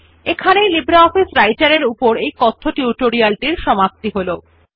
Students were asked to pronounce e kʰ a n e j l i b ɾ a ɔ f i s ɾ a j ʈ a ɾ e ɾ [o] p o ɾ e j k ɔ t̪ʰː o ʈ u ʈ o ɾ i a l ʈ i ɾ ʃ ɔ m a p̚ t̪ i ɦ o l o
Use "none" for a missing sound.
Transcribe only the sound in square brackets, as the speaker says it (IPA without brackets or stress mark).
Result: u